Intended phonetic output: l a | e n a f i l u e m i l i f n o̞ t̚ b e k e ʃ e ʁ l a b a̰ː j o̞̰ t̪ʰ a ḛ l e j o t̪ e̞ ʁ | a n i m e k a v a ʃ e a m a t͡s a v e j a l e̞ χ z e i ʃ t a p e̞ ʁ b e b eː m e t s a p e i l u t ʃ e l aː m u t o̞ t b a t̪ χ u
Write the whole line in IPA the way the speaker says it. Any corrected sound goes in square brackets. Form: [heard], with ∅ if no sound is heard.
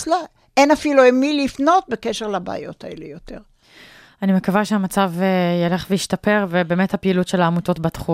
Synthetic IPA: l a | e n a f i l u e m i l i f n o̞ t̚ b e k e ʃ e ʁ l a b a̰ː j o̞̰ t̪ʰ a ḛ l e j o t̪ e̞ ʁ | a n i m e k a v a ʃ e a m a t͡s a v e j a l e̞ χ [v] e i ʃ t a p e̞ ʁ [v] e b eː m e t [h] a p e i l u t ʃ e l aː m u t o̞ t b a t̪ χ u